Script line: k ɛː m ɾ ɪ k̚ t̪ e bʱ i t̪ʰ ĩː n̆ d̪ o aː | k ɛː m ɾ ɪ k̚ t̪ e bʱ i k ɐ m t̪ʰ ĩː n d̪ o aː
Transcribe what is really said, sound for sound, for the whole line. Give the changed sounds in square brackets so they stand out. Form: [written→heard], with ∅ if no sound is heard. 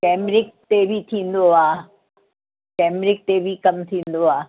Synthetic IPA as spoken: k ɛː m ɾ ɪ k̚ t̪ e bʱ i t̪ʰ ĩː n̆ d̪ o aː | k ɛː m ɾ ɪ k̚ t̪ e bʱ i k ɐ m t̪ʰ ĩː n d̪ o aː